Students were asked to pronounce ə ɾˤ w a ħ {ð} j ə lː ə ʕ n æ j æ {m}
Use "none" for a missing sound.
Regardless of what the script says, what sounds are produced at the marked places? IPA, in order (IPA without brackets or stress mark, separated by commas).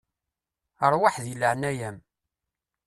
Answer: ð, m